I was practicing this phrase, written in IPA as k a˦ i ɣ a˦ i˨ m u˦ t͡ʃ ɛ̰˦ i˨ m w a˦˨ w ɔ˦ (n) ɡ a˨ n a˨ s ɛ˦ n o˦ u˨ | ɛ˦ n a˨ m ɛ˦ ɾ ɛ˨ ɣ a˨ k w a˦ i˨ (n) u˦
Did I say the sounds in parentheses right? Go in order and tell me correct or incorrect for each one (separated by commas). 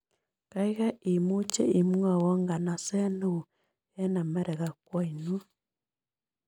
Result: incorrect, correct